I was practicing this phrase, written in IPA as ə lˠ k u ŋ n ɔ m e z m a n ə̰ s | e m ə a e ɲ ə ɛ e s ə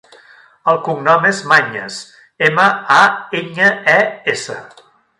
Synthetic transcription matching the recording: ə lˠ k u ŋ n ɔ m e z m a ɲ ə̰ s | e m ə a e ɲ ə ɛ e s ə

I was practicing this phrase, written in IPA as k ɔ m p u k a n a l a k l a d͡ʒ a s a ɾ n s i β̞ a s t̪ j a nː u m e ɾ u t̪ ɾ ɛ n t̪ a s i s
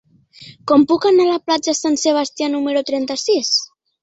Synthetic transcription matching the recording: k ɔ m p u k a n a l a p l a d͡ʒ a s a n s e β̞ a s t̪ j a n u m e ɾ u t̪ ɾ ɛ n t̪ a s i s

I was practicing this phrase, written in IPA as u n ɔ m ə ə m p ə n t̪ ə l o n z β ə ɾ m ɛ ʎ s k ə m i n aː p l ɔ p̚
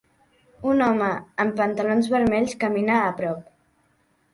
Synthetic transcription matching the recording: u n ɔ m ə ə m p ə n t̪ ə l o n z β ə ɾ m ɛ ʎ s k ə m i n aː p ɾ ɔ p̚

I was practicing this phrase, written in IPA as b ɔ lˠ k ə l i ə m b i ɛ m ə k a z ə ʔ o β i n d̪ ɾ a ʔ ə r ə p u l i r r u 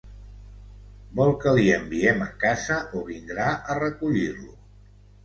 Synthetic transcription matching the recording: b ɔ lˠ k ə l i ə m b i ɛ m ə k a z ə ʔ o β i n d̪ ɾ a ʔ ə r ə k u ʎ i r l u

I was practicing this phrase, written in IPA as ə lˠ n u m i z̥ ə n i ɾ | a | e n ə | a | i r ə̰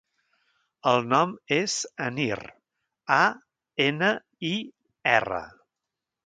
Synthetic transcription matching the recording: ə lˠ n ɔ m e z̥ ə n i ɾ | a | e n ə | i | ɛ r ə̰

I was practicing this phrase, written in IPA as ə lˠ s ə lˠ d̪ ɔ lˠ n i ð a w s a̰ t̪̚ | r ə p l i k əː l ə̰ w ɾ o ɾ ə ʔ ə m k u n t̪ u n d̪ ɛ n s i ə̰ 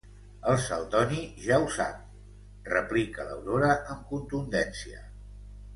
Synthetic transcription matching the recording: ə lˠ s ə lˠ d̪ ɔ n i ʒ a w s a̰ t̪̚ | r ə p l i k ə l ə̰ w ɾ o ɾ ə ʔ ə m k u n t̪ u n d̪ ɛ n s i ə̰

